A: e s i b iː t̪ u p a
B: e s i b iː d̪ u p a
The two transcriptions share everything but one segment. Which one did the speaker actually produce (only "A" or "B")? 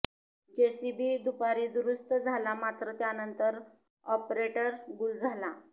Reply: B